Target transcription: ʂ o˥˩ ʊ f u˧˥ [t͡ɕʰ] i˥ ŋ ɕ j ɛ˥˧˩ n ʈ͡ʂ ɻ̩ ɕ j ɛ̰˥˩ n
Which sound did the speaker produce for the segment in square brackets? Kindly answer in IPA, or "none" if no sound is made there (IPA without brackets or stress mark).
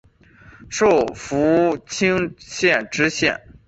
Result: t͡ɕʰ